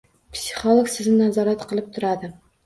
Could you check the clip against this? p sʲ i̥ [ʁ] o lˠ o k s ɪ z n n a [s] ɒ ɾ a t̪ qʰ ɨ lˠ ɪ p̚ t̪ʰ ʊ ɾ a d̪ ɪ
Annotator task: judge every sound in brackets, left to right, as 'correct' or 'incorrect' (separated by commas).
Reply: incorrect, incorrect